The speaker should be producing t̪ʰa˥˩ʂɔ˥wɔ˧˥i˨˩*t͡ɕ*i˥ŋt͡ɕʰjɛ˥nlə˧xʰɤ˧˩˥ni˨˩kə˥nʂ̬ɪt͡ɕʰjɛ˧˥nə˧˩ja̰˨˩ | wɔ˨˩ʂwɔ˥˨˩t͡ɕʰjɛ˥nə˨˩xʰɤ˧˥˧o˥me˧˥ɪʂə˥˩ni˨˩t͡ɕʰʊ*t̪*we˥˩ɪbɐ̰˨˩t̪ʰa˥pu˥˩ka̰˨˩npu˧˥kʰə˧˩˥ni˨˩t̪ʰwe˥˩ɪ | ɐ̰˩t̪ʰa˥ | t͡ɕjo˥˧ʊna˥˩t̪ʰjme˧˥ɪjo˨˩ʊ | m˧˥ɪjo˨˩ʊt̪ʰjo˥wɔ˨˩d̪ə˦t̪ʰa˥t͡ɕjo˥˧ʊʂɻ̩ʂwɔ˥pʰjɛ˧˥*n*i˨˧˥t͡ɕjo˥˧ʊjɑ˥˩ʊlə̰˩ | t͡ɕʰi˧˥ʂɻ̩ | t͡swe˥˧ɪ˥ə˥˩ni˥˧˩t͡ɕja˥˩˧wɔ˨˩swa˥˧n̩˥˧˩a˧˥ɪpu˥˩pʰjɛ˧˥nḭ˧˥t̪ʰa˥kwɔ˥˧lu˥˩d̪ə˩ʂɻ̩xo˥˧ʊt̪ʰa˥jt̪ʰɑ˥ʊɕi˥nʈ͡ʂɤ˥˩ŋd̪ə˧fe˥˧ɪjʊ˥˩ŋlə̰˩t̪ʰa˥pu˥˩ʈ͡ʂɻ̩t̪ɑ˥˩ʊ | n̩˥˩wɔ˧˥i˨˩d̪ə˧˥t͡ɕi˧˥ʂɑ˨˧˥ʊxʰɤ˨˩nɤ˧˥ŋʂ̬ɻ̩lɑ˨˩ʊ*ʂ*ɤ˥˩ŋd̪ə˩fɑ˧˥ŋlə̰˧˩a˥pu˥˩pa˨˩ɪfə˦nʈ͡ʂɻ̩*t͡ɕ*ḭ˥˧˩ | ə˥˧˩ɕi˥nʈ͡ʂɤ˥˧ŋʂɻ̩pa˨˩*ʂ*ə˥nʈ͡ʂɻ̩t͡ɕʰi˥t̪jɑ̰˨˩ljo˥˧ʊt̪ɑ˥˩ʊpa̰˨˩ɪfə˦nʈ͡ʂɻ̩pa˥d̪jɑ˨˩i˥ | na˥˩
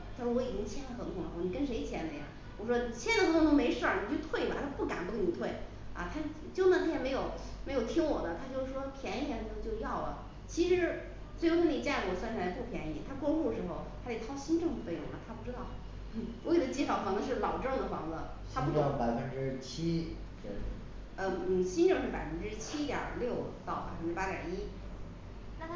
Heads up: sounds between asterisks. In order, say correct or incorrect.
correct, incorrect: t̪ʰ, correct, incorrect: ʈ͡ʂ, incorrect: t͡ɕʰ, incorrect: f

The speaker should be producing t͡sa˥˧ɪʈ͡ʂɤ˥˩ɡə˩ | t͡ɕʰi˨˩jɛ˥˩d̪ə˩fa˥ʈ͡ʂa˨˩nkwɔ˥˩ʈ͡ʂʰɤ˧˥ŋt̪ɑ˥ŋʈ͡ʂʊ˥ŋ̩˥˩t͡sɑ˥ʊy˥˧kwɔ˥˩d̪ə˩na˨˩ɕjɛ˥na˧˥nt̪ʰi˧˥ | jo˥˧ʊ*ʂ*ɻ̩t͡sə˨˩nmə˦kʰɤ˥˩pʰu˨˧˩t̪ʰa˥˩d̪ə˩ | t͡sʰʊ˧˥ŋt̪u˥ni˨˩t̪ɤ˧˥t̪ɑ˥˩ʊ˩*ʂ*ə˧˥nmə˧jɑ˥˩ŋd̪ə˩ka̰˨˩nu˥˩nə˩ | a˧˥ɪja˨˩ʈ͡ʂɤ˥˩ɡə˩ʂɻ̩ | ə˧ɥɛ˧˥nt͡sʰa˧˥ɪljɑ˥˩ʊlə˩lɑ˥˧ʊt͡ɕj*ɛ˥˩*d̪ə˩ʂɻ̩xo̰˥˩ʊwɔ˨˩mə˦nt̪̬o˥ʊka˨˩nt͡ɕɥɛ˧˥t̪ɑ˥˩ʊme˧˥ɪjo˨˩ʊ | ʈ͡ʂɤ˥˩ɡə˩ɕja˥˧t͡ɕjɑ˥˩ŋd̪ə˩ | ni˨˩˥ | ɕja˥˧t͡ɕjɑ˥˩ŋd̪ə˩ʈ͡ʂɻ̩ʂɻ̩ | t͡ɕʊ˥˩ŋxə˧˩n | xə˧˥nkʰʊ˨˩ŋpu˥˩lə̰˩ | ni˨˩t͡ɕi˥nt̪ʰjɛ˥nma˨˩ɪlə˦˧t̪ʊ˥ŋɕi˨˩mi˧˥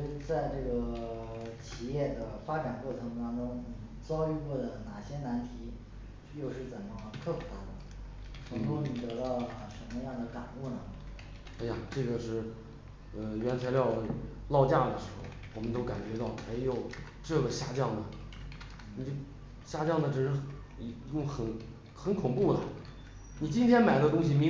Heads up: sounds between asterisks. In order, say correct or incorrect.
correct, correct, incorrect: a˥˩

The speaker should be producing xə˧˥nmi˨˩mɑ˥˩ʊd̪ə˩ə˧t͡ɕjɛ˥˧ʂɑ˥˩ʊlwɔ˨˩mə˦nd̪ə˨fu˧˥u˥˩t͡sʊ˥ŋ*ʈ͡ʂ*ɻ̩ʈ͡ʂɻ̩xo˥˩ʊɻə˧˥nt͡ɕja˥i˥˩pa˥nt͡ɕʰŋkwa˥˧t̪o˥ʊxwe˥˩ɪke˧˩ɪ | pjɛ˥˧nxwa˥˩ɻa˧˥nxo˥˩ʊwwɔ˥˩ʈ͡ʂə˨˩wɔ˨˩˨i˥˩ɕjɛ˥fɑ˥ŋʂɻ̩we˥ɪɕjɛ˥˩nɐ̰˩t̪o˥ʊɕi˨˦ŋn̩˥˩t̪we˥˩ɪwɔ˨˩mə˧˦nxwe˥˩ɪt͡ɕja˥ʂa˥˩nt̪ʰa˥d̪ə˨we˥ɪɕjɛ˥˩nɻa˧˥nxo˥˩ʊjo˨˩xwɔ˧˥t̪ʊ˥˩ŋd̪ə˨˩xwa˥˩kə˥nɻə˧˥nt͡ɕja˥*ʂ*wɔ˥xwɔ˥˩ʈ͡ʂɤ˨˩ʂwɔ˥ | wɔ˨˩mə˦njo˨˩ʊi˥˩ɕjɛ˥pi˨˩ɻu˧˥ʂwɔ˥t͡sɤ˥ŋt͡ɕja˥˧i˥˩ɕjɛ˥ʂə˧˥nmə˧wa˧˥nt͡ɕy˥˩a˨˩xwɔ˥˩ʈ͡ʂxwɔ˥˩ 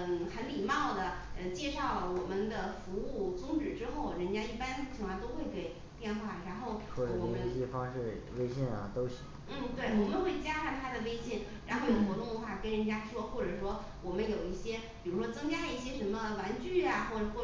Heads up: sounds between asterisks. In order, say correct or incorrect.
correct, correct

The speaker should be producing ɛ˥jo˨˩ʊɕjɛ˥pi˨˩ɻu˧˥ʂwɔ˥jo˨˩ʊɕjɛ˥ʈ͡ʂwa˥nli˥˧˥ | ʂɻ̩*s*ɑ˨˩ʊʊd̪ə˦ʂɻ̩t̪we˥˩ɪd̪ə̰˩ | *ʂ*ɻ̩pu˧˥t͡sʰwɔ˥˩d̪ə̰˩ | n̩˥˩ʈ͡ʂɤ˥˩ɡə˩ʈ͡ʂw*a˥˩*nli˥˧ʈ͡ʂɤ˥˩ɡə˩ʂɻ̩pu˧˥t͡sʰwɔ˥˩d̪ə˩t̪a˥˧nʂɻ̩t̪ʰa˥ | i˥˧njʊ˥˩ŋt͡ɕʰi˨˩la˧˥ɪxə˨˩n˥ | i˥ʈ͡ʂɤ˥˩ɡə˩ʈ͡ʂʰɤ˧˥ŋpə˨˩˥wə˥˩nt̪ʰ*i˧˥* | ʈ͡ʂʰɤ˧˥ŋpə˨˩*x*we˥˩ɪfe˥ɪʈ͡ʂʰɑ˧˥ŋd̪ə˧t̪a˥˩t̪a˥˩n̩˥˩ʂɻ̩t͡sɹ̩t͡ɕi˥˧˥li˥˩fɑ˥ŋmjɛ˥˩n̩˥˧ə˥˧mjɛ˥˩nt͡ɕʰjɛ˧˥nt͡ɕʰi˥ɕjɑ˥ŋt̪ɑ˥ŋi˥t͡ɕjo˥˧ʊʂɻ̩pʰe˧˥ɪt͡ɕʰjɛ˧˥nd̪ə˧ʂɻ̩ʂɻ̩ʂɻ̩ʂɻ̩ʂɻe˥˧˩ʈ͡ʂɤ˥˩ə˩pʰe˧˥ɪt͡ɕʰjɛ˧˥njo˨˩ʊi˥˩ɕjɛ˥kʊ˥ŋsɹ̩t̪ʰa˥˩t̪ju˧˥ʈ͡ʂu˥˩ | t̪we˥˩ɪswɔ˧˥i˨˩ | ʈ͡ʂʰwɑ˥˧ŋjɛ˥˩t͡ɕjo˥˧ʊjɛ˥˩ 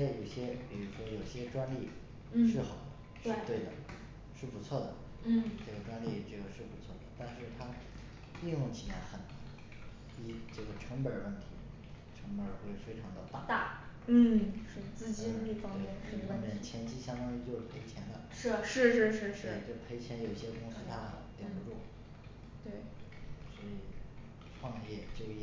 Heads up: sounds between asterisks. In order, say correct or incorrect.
incorrect: x, correct, incorrect: a˥, correct, correct

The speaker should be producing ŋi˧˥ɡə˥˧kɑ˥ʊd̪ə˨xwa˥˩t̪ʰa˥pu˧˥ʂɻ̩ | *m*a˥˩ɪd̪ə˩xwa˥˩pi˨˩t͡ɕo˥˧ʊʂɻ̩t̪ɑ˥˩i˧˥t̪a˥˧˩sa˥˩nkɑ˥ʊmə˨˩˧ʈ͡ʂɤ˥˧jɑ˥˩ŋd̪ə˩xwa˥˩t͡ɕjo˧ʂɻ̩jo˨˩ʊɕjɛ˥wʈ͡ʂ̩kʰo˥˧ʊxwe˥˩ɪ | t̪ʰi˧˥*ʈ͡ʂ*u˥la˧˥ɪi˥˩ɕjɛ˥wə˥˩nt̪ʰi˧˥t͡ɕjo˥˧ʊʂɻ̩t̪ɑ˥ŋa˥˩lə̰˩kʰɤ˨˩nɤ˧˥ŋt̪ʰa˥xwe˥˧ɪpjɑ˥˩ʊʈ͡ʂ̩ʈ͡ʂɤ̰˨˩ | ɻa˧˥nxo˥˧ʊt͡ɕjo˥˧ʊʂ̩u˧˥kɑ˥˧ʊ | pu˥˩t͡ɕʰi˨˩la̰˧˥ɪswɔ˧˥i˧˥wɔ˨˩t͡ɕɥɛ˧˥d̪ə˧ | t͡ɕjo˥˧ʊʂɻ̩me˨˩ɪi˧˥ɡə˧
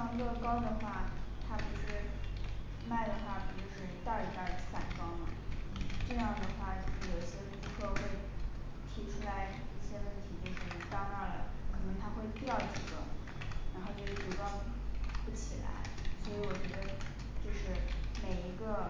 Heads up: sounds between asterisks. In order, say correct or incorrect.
correct, incorrect: ʈ͡ʂʰ

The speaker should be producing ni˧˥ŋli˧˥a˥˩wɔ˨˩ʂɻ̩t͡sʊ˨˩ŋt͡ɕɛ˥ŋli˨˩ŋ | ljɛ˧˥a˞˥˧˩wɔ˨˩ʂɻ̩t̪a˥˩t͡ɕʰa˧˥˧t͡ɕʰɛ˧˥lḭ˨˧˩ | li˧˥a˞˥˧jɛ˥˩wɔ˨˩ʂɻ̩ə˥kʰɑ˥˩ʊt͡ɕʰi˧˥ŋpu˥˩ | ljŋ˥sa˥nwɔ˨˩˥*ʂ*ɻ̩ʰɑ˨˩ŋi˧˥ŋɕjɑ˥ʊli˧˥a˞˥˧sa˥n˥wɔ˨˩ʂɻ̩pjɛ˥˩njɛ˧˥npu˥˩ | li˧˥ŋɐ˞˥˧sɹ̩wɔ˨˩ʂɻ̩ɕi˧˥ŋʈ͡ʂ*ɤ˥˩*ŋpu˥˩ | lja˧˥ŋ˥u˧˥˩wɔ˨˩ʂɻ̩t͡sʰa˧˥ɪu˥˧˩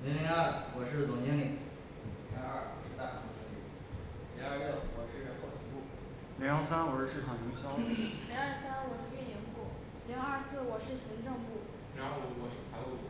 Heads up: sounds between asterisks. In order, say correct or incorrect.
correct, incorrect: ɤ˥˧

